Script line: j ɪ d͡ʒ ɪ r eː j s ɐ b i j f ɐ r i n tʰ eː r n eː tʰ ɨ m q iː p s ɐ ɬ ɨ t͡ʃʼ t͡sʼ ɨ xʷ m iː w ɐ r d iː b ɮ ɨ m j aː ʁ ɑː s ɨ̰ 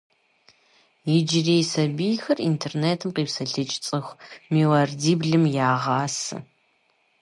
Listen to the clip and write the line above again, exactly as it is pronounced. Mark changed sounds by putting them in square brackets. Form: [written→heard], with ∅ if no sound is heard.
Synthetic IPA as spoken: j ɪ d͡ʒ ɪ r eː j s ɐ b i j [f→x] ɐ r i n tʰ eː r n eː tʰ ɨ m q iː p s ɐ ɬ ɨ t͡ʃʼ t͡sʼ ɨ xʷ m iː w ɐ r d iː b ɮ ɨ m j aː ʁ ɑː s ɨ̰